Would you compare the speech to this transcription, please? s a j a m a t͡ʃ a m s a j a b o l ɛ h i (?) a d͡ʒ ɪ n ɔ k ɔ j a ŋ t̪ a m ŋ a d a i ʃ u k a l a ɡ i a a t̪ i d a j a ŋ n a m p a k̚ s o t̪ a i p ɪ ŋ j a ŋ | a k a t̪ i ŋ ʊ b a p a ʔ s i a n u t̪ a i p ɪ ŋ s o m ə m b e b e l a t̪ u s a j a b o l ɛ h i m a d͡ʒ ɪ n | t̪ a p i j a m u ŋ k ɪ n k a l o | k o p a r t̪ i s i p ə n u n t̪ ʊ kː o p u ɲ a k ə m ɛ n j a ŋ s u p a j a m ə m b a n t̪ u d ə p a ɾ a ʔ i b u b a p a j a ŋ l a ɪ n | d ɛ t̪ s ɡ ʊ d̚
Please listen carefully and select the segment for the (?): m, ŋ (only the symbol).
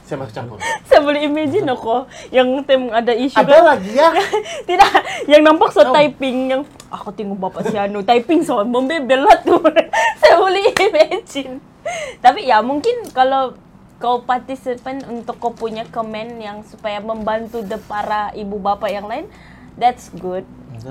m